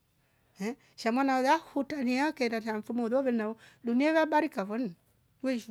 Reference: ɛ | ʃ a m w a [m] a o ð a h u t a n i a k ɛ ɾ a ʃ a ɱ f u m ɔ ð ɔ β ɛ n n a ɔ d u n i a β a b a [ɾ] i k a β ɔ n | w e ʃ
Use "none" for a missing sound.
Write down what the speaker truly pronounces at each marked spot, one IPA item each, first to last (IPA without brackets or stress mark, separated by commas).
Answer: n, ɾ